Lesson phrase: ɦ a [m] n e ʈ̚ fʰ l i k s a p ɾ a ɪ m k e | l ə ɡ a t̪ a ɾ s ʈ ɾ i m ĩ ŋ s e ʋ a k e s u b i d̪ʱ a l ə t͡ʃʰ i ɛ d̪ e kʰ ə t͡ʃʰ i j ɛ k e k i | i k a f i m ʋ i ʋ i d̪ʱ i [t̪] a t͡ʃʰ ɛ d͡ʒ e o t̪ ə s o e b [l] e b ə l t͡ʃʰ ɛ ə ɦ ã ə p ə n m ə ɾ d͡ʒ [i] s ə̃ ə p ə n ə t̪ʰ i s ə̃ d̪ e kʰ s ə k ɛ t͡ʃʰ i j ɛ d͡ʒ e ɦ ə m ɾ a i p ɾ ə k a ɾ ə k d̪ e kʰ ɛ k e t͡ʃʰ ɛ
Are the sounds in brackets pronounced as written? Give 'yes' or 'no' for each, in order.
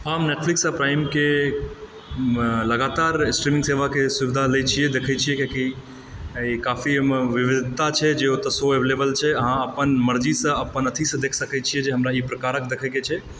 yes, yes, yes, yes

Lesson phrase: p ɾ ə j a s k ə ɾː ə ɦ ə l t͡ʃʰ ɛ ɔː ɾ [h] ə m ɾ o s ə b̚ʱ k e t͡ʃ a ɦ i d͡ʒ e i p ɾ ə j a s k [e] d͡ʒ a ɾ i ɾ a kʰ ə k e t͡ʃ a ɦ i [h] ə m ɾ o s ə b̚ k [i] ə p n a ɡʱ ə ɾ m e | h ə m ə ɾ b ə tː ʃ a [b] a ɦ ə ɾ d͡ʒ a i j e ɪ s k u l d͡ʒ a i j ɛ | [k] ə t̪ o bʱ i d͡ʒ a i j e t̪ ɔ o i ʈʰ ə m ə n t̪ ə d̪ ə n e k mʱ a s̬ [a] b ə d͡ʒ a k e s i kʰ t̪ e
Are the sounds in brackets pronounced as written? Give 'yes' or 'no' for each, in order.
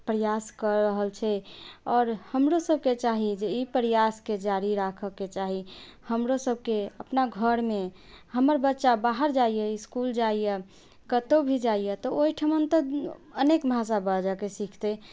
yes, yes, yes, no, yes, yes, yes

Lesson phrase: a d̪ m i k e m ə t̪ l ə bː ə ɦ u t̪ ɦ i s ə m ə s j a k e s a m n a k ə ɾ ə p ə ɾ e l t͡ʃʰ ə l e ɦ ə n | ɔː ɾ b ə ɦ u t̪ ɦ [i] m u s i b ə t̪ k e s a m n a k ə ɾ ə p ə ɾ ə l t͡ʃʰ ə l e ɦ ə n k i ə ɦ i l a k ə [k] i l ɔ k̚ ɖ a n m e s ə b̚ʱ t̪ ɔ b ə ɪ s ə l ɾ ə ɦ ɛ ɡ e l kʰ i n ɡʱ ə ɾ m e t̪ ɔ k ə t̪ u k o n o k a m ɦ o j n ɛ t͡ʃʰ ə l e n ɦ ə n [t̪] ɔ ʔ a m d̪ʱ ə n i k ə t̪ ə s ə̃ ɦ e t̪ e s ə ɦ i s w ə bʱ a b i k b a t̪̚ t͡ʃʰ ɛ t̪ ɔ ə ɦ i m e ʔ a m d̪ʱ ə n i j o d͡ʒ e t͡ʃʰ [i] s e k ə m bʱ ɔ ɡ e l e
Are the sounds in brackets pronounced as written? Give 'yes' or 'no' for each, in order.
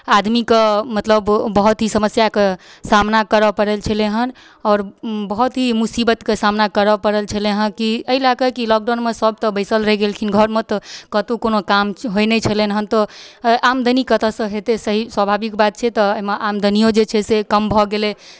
yes, yes, yes, no

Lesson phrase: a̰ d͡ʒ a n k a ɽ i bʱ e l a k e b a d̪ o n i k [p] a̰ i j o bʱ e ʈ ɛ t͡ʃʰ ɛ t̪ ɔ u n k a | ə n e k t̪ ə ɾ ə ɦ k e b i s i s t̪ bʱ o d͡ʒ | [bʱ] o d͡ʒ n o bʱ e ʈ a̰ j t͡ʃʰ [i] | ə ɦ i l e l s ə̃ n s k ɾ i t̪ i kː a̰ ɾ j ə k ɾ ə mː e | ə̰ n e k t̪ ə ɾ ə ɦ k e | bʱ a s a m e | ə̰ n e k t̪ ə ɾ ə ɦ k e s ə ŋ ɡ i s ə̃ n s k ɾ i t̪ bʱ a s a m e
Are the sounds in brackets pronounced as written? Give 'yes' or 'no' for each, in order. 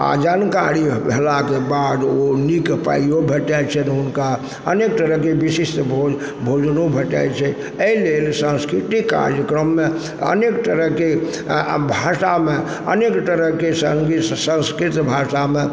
yes, yes, no

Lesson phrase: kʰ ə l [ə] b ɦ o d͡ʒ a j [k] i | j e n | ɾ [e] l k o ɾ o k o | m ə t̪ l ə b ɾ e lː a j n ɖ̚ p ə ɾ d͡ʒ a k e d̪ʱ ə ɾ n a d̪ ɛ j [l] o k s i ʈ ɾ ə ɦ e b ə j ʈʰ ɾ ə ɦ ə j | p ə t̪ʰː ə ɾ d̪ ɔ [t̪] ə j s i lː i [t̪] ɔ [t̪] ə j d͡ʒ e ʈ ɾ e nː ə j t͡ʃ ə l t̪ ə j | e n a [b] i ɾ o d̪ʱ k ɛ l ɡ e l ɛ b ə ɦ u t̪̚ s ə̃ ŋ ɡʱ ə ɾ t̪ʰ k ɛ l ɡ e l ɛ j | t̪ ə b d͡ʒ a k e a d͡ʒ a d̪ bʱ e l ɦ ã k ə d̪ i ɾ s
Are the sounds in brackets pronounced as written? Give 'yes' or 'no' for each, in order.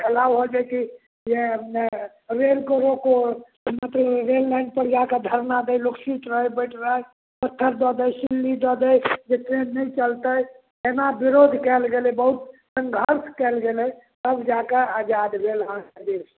no, yes, yes, yes, no, no, no, yes

